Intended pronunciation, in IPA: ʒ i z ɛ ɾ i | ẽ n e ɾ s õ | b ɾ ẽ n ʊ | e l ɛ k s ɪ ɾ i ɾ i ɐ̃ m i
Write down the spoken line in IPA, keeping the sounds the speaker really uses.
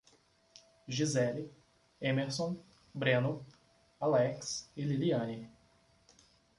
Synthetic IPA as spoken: ʒ i z ɛ l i | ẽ m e ɾ s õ | b ɾ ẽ n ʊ | a l ɛ k s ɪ l i l i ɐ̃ n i

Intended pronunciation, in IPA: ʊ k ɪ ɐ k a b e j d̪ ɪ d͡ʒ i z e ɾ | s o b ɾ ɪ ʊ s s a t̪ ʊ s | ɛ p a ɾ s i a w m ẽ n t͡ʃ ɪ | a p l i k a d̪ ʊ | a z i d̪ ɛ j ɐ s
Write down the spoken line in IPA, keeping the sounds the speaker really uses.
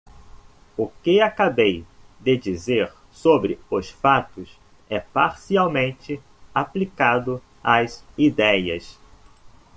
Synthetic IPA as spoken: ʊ k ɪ a k a b e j d̪ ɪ d͡ʒ i z e ɾ | s o b ɾ ɪ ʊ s f a t̪ ʊ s | ɛ p a ɾ s i a w m ẽ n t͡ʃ ɪ | a p l i k a d̪ ʊ | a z i d̪ ɛ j ɐ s

